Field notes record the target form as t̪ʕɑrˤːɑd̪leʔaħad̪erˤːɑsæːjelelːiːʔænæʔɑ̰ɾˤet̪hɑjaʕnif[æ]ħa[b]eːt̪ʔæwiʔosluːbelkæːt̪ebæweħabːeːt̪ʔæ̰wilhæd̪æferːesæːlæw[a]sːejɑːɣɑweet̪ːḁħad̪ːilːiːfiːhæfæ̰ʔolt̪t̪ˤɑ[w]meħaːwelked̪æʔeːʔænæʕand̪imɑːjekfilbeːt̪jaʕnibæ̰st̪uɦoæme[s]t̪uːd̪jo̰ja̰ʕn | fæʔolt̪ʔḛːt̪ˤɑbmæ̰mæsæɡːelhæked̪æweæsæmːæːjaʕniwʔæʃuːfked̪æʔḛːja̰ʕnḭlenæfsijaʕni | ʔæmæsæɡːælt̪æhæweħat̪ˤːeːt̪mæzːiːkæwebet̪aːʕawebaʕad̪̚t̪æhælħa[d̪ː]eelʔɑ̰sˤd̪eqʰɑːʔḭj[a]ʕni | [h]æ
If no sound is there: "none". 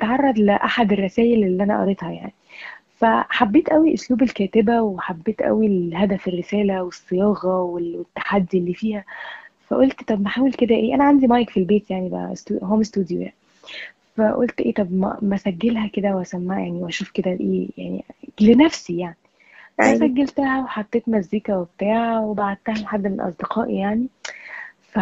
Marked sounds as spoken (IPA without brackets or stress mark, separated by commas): æ, bː, e, b, s, d̪ː, a, f